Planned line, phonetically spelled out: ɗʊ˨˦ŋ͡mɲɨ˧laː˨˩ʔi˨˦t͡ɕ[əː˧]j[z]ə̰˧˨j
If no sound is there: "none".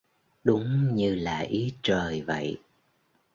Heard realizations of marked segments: əː˨˩, v

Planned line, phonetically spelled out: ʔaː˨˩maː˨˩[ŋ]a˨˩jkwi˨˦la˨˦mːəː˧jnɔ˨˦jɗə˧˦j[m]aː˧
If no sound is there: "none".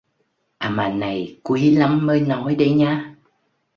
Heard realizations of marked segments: n, ɲ

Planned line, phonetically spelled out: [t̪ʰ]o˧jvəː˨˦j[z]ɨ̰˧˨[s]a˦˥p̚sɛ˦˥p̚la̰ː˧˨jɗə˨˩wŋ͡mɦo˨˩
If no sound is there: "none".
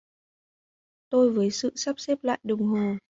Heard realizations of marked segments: t̪, s, s

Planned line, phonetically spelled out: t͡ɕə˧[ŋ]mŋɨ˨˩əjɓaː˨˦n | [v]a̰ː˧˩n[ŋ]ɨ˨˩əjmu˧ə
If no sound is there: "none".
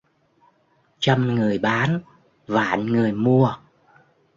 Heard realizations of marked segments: none, v, ŋ

